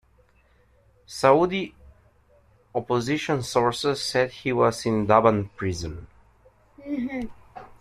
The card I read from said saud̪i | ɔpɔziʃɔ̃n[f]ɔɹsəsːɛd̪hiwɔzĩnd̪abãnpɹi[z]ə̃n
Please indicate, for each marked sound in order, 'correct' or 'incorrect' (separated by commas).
incorrect, correct